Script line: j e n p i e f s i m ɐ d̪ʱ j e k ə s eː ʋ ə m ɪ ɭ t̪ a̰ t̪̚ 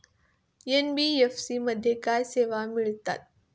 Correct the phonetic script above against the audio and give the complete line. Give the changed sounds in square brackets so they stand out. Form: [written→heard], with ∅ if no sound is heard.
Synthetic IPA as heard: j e n [p→b] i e f s i m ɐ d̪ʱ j e k [ə→a] s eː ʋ [ə→a] m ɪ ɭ t̪ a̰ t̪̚